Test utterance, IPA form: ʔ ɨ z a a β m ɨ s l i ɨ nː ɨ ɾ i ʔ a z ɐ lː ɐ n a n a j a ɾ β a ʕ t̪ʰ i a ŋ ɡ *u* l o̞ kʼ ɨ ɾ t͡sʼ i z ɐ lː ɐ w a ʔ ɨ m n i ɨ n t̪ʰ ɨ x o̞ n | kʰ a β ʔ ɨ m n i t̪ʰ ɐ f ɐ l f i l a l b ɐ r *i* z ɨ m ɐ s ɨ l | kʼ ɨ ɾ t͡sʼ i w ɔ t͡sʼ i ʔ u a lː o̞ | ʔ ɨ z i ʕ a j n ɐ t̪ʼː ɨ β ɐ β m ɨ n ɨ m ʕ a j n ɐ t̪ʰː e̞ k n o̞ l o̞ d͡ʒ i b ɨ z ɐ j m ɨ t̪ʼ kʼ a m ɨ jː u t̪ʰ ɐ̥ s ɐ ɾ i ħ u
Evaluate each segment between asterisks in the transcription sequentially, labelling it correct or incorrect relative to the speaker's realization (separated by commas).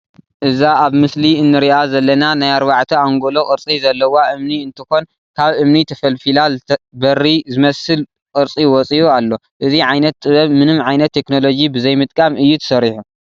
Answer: incorrect, correct